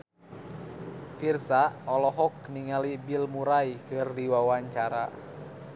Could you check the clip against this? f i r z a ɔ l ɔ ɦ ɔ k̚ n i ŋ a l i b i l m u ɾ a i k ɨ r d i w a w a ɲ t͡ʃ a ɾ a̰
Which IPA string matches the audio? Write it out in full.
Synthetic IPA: f i r s a ɔ l ɔ ɦ ɔ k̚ n i ŋ a l i b i l m u ɾ a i k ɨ r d i w a w a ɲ t͡ʃ a ɾ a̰